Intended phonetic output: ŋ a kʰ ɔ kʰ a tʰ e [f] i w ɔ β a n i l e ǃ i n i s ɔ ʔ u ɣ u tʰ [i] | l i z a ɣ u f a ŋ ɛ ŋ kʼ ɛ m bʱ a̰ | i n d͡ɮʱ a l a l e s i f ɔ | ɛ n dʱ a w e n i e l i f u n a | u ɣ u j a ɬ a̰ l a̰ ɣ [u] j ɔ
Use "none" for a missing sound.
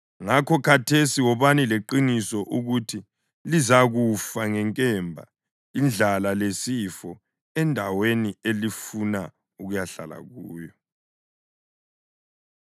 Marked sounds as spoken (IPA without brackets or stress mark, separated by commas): s, i, uː